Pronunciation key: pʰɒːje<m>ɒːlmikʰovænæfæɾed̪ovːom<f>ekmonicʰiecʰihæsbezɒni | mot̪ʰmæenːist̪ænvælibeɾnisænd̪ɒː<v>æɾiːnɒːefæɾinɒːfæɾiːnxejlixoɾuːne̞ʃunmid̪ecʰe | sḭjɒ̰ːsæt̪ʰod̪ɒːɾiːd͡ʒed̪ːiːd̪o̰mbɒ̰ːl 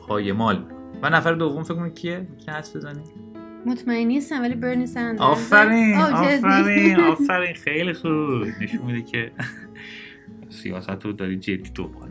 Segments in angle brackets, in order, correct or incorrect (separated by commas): correct, correct, incorrect